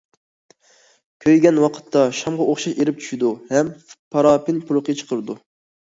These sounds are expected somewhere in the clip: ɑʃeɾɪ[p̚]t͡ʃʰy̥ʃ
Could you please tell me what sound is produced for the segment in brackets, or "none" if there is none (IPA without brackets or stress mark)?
p̚